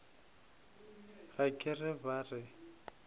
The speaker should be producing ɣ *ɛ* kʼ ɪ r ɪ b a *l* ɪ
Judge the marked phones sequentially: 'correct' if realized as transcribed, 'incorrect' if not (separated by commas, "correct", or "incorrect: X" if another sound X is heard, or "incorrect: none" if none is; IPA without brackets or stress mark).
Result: incorrect: a, incorrect: r